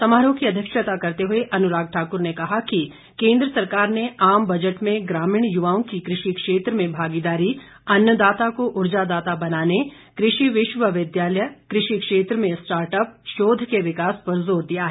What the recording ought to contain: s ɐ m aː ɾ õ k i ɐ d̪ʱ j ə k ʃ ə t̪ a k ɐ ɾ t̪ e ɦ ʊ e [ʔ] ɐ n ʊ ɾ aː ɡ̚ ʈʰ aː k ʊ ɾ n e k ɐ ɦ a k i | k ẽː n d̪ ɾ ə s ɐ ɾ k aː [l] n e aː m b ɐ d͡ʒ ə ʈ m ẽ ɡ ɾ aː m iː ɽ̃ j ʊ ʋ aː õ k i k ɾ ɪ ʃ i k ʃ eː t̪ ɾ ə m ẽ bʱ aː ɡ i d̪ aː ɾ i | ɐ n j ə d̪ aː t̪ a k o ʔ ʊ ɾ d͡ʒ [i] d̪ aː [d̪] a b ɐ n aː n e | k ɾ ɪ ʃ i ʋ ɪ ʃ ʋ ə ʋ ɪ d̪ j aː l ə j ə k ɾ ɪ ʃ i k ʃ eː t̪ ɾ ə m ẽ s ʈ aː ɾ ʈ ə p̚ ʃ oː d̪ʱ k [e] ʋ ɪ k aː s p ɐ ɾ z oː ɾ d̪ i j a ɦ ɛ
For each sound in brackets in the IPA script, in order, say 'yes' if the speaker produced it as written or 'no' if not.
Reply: yes, no, no, no, yes

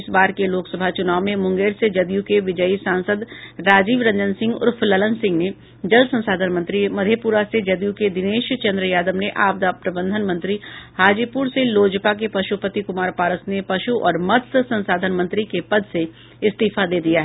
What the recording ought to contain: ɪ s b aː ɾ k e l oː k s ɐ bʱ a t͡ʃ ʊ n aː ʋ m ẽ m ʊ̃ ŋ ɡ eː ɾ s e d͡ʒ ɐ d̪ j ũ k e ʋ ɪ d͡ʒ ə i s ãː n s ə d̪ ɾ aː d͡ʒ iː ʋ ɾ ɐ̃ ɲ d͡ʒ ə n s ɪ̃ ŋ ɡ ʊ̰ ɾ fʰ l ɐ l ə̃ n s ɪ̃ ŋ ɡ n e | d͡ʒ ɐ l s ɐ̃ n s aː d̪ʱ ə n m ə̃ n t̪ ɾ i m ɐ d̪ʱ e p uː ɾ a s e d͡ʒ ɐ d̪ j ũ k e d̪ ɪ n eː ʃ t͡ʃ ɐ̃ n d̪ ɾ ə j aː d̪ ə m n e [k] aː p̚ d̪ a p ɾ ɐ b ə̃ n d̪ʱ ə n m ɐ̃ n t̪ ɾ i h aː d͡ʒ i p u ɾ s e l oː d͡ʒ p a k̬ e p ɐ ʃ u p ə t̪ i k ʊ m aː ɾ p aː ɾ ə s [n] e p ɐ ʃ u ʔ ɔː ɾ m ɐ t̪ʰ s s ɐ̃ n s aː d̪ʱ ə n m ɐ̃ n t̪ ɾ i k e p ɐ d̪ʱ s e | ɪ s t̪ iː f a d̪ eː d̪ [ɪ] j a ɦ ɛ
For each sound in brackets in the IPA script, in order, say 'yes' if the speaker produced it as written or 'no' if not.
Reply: no, yes, no

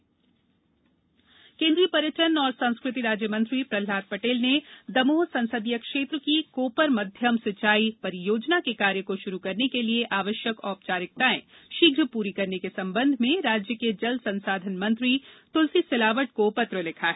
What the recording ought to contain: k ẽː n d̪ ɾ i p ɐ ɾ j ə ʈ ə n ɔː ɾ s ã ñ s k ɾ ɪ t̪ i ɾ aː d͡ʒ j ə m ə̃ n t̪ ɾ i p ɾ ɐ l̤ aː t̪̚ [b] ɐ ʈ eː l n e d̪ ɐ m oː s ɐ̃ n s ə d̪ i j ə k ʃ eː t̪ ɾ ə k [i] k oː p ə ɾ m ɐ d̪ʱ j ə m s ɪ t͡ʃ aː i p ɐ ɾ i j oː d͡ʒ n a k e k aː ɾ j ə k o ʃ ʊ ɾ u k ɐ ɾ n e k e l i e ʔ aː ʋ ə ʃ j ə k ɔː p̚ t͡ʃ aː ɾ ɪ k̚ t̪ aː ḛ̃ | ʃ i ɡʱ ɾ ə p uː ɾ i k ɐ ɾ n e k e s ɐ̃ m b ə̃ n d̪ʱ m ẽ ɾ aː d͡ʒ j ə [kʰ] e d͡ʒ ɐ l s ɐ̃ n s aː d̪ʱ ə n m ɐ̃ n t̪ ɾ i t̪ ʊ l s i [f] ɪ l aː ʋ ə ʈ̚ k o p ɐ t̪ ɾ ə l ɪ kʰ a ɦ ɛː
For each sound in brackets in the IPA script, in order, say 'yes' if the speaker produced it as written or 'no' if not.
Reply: no, yes, no, no

